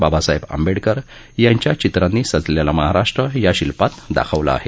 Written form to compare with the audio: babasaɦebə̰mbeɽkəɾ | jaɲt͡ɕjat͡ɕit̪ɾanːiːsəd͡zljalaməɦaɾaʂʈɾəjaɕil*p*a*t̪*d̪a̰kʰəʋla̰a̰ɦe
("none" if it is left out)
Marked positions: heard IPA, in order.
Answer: p, t̪

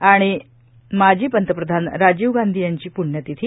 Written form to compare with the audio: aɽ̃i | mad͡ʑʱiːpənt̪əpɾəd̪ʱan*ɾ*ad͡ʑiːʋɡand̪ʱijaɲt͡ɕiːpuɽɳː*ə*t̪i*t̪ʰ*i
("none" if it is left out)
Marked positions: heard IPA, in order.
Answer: ɾ, ə, t̪ʰ

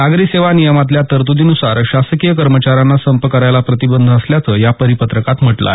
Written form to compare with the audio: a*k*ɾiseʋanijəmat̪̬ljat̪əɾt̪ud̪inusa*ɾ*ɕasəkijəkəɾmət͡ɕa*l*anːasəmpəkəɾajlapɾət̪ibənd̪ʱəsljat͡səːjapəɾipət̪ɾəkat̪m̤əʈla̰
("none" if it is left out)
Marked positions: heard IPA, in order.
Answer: ɡ, ɾ, ɾ

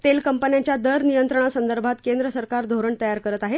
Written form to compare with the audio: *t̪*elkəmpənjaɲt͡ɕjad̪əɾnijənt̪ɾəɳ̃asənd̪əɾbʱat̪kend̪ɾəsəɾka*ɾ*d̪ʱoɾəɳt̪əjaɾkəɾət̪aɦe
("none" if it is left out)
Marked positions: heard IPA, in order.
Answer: t̪, ɾ

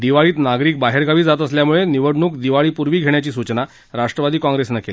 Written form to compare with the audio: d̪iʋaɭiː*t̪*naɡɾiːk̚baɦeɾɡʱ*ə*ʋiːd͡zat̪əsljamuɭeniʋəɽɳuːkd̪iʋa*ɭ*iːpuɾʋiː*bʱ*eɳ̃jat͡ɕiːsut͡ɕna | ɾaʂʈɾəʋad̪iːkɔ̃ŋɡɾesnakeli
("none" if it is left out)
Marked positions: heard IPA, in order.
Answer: t̪, a, ɭ, ɡʱ

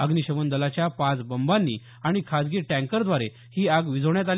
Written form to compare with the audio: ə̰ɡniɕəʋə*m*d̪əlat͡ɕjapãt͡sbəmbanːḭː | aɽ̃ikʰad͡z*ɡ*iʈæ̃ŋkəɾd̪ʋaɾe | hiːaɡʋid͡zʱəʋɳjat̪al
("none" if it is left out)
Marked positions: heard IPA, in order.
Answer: n, ɡ

